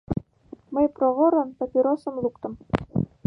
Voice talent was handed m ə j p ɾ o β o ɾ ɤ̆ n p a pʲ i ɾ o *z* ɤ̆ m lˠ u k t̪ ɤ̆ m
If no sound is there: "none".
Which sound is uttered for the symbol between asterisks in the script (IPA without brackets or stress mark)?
s